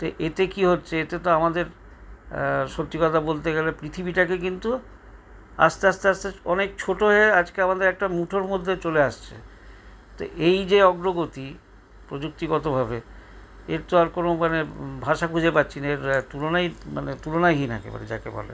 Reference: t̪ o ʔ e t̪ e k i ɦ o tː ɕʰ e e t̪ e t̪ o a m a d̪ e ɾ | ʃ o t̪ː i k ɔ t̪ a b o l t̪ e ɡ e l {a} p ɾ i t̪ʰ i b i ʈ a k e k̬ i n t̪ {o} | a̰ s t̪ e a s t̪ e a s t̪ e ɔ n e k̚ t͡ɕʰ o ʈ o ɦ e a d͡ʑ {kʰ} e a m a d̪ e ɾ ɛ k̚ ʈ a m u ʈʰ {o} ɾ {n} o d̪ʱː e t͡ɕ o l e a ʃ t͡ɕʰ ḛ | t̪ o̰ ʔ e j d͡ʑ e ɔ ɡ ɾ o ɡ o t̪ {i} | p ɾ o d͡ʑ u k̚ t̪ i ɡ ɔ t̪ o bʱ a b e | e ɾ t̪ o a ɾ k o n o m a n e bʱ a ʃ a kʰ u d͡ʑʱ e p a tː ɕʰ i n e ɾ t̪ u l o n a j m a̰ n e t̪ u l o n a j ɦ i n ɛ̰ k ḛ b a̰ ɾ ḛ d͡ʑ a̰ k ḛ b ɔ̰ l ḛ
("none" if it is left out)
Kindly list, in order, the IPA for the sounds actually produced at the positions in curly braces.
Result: e, u, k, o, m, i

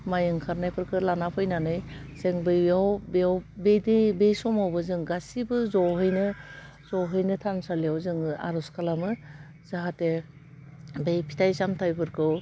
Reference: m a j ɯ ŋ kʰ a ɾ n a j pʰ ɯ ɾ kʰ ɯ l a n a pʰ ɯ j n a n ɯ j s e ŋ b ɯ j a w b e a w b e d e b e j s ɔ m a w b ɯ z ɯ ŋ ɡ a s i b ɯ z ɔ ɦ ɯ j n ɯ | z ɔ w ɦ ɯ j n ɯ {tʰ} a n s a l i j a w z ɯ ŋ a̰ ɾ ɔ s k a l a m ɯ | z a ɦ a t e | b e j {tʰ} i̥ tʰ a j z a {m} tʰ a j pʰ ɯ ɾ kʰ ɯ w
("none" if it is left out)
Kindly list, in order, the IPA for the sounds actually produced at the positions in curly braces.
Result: tʰ, pʰ, m

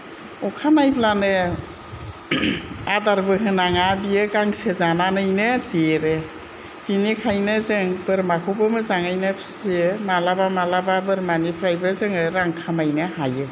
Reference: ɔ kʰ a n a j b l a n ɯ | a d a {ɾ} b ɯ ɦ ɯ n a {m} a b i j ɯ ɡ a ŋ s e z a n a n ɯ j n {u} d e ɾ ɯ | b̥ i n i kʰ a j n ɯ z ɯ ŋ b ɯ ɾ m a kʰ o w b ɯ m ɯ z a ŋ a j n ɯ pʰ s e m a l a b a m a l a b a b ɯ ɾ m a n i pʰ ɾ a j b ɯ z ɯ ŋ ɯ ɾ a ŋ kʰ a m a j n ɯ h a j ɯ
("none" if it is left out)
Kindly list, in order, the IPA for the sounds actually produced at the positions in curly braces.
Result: ɾ, ŋ, ɯ

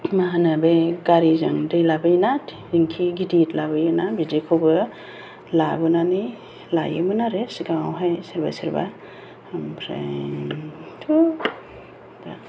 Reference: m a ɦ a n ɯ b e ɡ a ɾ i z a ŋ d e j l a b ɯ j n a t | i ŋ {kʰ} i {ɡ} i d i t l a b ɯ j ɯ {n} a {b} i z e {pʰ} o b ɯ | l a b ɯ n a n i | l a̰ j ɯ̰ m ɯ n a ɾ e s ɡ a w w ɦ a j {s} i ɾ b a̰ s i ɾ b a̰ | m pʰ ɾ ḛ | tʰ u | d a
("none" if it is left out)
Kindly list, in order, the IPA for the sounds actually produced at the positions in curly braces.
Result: kʰ, ɡ, n, b, kʰ, s

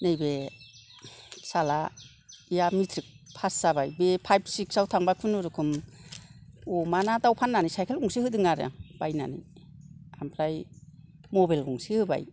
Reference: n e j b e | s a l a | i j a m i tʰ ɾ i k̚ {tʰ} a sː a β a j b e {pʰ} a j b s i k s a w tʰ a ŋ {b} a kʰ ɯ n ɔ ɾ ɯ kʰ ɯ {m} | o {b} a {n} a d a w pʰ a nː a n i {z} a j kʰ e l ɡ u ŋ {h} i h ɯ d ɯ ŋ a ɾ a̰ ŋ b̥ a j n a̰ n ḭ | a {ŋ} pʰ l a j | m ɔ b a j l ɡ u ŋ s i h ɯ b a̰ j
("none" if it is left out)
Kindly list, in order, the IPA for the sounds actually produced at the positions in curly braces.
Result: pʰ, pʰ, b, m, m, n, s, s, m

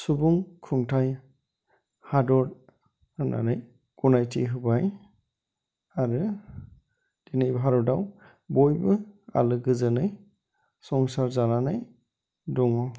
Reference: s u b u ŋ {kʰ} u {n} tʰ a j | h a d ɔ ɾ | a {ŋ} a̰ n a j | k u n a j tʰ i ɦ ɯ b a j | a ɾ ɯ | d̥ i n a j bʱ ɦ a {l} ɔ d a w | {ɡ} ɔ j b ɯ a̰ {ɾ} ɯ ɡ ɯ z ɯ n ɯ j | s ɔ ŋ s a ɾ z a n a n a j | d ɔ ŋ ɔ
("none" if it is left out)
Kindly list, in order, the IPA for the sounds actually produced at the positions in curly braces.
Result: kʰ, ŋ, n, ɾ, b, l

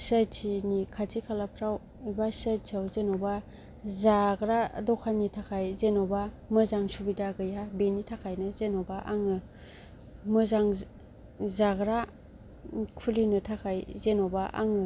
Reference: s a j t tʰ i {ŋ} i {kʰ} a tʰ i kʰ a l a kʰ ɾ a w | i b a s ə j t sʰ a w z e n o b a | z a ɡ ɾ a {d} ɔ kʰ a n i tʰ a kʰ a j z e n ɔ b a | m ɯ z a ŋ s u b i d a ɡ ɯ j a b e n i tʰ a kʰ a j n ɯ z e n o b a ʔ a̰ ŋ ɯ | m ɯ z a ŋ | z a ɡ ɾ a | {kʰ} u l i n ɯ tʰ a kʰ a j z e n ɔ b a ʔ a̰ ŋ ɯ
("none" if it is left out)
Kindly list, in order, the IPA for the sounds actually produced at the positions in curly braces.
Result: n, kʰ, d, kʰ

